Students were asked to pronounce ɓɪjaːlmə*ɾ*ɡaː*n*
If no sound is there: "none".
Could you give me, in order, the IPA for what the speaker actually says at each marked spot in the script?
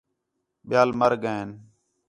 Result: ɾ, n

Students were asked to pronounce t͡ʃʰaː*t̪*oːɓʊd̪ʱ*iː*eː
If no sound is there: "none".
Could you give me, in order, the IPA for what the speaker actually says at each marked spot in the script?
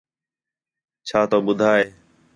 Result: t̪, aː

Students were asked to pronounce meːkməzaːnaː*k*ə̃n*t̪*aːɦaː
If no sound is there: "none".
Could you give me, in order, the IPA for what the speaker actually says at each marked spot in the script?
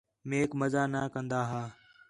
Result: k, d̪

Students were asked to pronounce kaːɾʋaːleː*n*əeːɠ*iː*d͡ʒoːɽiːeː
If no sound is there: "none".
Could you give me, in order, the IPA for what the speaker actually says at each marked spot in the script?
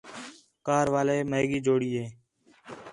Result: m, iː

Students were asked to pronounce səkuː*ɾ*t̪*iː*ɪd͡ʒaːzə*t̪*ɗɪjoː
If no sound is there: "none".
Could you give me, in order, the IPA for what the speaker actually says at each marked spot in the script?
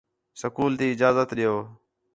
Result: l, iː, t̪

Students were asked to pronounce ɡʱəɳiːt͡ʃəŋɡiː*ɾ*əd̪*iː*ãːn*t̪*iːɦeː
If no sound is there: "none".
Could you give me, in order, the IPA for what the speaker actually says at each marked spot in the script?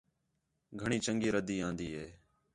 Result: ɾ, iː, d̪

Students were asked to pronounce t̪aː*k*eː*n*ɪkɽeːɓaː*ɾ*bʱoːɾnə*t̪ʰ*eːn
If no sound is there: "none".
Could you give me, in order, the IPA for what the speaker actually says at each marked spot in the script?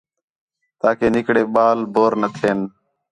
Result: k, n, l, t̪ʰ

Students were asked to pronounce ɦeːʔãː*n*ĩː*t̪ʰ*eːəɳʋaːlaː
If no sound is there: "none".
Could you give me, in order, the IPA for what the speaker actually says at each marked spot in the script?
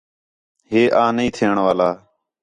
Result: n, t̪ʰ

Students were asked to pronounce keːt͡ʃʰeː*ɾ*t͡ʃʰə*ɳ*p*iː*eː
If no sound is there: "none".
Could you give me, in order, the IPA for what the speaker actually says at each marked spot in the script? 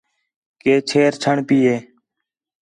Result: ɾ, ɳ, iː

